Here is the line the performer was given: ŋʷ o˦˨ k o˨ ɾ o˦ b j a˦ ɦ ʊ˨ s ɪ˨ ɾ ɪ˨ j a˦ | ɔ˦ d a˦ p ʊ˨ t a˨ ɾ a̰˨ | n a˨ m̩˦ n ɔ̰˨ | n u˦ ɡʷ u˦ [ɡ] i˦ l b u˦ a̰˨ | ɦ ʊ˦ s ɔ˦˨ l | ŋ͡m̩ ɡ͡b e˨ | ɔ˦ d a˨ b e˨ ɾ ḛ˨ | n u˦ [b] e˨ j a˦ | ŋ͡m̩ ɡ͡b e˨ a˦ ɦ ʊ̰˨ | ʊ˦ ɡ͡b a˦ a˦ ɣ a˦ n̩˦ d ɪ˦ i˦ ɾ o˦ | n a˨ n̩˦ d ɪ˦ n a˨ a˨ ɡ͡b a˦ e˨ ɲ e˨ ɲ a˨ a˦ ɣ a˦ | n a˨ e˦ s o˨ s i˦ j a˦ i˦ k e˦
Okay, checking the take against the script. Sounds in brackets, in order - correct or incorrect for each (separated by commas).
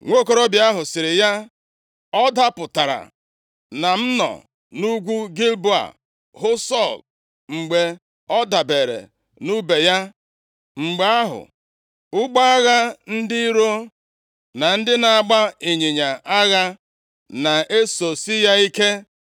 correct, correct